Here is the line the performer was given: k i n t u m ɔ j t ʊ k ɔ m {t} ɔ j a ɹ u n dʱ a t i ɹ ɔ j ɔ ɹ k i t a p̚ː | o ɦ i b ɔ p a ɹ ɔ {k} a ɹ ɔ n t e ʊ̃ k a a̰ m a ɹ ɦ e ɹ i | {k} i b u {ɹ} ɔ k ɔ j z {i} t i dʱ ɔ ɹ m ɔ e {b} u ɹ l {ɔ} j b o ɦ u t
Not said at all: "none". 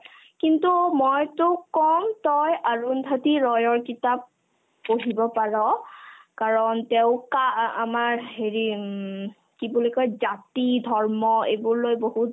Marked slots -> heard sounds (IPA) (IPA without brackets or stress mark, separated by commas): t, k, k, l, a, b, o